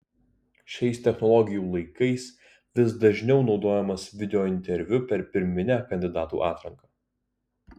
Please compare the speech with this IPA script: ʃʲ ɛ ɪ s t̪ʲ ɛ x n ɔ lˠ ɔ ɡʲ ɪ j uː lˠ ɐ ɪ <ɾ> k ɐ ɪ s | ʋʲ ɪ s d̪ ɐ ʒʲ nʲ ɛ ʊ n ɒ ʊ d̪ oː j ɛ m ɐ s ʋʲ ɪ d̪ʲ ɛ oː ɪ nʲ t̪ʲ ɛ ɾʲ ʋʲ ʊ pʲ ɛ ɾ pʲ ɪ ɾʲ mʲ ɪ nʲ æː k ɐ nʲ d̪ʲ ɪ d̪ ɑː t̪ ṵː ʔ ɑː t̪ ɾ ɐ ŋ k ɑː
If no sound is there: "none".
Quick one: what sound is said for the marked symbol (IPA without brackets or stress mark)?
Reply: none